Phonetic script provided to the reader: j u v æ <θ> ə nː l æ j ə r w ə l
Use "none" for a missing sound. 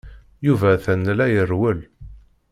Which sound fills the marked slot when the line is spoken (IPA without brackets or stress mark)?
θ